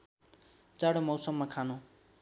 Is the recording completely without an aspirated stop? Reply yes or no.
no